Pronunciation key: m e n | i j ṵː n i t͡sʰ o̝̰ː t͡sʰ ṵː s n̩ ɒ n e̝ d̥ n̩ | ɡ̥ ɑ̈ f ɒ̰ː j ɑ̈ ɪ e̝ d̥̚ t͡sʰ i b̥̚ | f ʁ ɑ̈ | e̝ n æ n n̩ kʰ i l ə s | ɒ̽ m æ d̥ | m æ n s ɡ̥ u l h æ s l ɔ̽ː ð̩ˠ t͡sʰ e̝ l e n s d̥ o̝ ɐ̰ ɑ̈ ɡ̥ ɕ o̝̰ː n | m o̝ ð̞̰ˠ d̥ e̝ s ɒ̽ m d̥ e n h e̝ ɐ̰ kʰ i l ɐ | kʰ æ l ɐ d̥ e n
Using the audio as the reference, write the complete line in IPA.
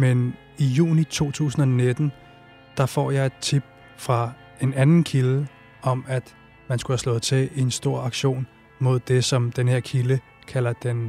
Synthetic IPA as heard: m e n | i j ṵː n i t͡sʰ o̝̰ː t͡sʰ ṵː s n̩ ɒ n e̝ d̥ n̩ | d̥ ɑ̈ f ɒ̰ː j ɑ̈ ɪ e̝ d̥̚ t͡sʰ i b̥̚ | f ʁ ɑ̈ | e̝ n æ n n̩ kʰ i l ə | ɒ̽ m æ d̥ | m æ n s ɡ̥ u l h æ s l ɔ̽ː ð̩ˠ t͡sʰ e̝ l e n s d̥ o̝ ɐ̰ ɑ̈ ɡ̥ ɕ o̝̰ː n | m o̝ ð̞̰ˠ d̥ e̝ s ɒ̽ m d̥ e n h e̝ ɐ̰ kʰ i l ə | kʰ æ l ɐ d̥ e n